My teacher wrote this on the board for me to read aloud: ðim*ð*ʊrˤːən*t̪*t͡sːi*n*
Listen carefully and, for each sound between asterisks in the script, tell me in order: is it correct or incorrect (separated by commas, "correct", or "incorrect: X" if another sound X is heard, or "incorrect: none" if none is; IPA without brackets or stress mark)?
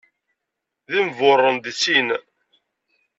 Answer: incorrect: v, incorrect: d̪, correct